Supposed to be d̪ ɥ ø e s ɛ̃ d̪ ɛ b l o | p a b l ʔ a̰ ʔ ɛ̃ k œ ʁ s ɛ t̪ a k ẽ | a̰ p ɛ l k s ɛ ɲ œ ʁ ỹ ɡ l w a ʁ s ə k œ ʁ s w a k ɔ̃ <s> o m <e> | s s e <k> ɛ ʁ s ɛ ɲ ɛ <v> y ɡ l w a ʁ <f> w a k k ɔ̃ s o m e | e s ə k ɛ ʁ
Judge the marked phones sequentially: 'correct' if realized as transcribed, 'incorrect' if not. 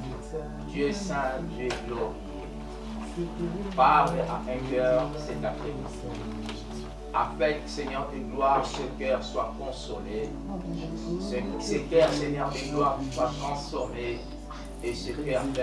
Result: correct, correct, correct, incorrect, incorrect

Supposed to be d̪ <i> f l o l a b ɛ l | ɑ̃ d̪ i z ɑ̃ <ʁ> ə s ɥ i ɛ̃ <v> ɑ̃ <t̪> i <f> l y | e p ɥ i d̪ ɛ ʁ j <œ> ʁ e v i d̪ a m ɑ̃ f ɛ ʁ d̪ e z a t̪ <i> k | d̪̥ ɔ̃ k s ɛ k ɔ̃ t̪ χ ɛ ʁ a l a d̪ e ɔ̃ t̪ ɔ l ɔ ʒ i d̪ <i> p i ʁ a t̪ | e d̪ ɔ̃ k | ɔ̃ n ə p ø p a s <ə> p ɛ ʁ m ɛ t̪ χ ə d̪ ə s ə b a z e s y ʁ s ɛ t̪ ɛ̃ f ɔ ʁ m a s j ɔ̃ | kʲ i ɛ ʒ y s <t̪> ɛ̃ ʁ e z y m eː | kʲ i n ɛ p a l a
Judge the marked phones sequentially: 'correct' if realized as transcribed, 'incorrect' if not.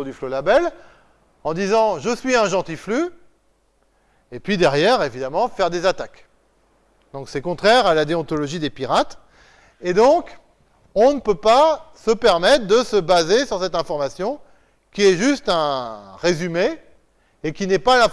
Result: incorrect, incorrect, incorrect, correct, correct, incorrect, incorrect, incorrect, correct, correct

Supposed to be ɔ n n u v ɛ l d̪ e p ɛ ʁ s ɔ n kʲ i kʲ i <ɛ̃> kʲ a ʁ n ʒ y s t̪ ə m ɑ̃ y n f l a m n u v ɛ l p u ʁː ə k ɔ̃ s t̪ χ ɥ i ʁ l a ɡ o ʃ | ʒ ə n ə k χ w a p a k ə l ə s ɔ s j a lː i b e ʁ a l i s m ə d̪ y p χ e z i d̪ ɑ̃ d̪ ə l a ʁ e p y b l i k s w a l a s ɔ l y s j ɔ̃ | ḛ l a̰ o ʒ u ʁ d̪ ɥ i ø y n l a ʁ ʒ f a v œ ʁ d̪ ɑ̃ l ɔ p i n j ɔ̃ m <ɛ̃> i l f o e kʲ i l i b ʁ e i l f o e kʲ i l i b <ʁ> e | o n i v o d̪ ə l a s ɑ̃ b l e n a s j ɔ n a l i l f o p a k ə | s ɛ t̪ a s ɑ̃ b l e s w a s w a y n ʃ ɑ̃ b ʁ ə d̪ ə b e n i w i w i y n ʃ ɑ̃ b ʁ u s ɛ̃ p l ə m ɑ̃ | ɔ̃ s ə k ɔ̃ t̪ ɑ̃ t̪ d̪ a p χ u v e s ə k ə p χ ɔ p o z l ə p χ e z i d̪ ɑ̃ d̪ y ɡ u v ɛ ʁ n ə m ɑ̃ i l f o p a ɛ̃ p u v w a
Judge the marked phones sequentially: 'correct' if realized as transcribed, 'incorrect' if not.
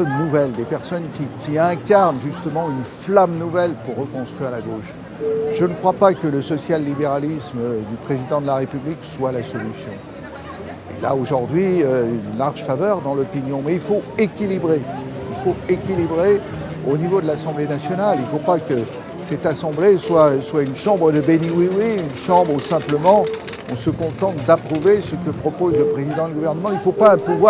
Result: correct, incorrect, correct

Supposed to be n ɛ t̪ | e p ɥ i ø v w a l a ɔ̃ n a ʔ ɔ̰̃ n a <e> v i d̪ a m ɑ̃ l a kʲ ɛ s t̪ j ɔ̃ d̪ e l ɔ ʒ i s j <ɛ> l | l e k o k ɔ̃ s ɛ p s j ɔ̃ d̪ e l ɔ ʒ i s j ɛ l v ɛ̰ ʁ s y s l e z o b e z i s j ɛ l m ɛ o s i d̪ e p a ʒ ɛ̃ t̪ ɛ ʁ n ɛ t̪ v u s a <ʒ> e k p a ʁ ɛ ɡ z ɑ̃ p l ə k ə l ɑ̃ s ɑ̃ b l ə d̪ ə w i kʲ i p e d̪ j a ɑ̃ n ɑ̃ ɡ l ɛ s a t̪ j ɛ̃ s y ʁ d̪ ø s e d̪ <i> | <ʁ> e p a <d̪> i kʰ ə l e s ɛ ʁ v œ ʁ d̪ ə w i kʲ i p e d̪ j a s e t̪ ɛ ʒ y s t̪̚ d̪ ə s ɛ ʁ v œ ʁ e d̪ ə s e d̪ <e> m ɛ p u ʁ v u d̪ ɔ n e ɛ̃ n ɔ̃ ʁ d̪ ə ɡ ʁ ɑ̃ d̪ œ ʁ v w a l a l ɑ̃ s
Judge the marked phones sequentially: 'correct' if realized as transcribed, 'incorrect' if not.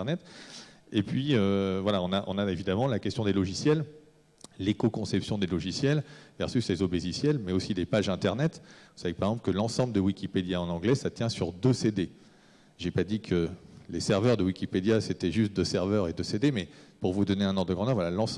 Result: correct, correct, incorrect, incorrect, incorrect, correct, correct

